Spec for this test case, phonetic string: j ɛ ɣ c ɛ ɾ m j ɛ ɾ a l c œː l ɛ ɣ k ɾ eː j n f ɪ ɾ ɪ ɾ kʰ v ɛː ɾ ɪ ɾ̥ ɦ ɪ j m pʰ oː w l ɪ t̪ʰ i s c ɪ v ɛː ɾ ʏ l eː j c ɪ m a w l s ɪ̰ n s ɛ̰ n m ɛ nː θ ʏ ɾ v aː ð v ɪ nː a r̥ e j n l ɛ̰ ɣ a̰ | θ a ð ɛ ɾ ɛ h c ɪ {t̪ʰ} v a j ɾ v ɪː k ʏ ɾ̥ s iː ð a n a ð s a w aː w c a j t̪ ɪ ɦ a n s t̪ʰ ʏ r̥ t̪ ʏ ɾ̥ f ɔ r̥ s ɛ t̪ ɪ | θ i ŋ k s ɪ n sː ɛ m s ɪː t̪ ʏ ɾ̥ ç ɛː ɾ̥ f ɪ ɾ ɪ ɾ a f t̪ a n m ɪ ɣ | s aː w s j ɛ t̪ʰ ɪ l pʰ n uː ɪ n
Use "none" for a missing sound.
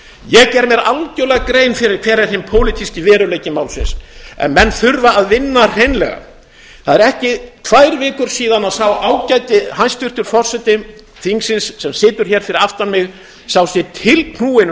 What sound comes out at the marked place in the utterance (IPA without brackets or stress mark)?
t̪ʰ